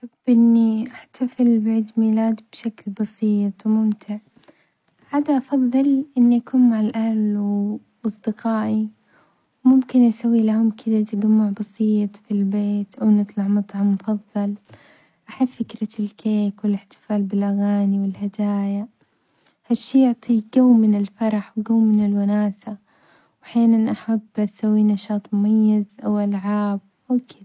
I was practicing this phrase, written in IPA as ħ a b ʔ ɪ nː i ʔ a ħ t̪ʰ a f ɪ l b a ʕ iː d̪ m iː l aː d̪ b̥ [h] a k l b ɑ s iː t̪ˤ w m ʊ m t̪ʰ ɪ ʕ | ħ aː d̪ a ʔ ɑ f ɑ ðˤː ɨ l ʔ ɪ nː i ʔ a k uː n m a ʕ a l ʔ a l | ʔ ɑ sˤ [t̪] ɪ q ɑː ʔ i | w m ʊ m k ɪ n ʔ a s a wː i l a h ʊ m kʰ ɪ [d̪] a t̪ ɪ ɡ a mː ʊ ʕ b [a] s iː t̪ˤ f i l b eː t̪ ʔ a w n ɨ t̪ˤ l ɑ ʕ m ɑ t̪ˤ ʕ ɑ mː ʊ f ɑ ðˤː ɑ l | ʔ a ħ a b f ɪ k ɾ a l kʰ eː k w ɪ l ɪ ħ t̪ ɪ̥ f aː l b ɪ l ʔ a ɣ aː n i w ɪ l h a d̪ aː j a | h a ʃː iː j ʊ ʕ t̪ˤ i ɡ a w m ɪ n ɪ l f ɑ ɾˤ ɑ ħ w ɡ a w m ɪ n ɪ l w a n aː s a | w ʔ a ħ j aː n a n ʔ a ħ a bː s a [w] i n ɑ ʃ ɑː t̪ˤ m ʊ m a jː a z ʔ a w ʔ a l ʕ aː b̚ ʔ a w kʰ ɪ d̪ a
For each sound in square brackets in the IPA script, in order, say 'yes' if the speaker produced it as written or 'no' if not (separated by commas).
no, no, yes, no, no